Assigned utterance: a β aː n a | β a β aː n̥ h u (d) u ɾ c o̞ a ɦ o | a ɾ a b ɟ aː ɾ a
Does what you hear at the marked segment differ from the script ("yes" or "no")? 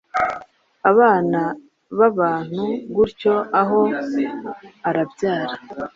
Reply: yes